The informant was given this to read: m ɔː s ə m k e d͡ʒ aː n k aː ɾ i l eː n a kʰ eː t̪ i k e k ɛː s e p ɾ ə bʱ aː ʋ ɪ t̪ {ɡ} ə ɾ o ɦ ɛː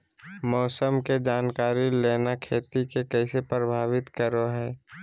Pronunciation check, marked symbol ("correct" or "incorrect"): incorrect